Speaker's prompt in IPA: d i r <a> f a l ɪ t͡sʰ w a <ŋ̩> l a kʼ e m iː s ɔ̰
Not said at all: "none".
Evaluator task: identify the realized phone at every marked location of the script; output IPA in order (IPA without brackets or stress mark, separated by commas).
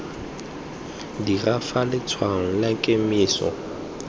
a, ŋ̩